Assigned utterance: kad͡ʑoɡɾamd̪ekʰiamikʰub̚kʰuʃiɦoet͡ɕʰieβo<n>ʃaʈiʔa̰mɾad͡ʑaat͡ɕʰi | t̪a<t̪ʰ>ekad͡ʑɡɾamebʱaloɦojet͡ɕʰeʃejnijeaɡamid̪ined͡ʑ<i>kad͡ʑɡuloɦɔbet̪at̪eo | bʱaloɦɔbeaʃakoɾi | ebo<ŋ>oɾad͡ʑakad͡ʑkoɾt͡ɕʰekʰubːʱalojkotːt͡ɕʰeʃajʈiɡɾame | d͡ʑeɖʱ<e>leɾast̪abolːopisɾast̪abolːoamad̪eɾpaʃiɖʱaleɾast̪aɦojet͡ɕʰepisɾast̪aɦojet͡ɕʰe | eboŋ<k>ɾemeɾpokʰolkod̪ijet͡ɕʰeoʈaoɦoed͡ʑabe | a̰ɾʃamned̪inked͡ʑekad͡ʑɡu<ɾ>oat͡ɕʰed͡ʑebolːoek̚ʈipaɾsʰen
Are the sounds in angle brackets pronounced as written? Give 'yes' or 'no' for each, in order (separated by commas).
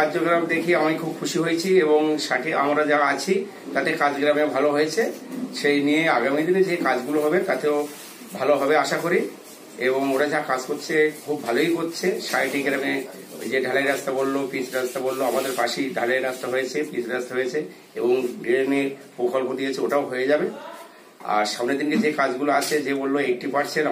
no, no, no, yes, no, no, no